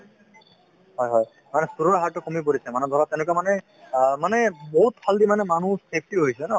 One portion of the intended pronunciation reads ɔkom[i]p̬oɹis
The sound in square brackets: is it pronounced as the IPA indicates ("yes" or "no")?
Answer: yes